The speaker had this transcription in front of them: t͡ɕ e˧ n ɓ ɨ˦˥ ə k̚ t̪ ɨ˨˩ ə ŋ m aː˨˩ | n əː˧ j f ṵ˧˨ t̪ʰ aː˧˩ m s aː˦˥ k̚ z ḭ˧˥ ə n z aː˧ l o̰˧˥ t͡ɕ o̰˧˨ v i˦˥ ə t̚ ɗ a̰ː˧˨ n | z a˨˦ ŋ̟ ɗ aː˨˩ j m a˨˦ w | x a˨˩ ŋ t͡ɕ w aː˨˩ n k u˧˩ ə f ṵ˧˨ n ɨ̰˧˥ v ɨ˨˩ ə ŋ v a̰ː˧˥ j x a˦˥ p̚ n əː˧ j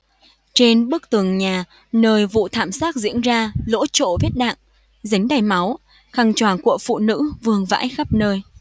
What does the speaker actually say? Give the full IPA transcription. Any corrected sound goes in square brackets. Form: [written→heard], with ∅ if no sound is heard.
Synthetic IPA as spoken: t͡ɕ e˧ n ɓ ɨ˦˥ ə k̚ t̪ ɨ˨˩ ə ŋ [m→ɲ] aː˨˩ | n əː˧ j [f→v] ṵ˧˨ t̪ʰ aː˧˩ m s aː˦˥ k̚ z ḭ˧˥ ə n z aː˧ l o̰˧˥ t͡ɕ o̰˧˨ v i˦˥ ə t̚ ɗ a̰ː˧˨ [n→ŋ] | z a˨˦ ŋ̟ ɗ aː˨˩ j m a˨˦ w | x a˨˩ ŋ t͡ɕ w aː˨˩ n k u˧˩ ə f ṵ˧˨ n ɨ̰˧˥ v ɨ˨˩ ə ŋ v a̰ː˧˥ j x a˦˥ p̚ n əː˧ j

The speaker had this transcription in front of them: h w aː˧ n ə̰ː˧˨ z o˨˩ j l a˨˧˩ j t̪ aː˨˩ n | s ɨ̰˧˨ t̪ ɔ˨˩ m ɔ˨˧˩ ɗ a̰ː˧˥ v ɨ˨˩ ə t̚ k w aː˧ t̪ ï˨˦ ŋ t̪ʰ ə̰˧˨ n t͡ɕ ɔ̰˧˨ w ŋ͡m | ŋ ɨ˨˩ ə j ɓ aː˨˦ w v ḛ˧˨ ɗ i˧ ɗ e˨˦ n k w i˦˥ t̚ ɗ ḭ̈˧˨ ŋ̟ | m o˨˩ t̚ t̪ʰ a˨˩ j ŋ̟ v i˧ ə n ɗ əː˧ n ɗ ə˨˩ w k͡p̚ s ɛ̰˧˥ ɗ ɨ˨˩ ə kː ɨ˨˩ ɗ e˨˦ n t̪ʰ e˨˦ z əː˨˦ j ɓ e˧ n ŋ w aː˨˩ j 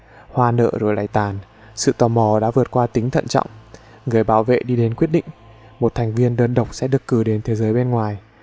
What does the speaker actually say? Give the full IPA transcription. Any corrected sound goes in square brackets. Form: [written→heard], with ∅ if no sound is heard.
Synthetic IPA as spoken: h w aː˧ n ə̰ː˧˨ z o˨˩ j l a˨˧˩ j t̪ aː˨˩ n | s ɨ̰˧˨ t̪ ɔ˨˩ m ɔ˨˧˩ ɗ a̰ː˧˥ v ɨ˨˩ ə t̚ k w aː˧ t̪ ï˨˦ ŋ t̪ʰ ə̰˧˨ n t͡ɕ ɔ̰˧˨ w ŋ͡m | ŋ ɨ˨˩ ə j ɓ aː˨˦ w v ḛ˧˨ ɗ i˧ ɗ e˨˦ n k w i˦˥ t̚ ɗ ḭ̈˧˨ ŋ̟ | m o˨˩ t̚ t̪ʰ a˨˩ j ŋ̟ v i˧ ə n ɗ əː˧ n ɗ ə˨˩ w k͡p̚ s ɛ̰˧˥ ɗ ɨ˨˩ ə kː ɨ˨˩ ɗ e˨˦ n t̪ʰ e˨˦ z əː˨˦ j ɓ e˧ n ŋ w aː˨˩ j

